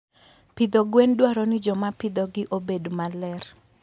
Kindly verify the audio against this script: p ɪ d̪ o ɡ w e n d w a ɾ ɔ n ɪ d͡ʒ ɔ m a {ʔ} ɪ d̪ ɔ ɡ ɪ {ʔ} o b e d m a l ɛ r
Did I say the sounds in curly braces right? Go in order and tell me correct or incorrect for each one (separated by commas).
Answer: incorrect, correct